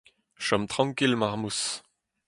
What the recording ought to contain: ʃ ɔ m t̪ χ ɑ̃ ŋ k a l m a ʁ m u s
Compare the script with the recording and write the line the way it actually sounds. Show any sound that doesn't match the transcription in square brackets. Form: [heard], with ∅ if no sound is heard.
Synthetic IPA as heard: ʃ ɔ m t̪ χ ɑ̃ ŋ k [i] l m a ʁ m u s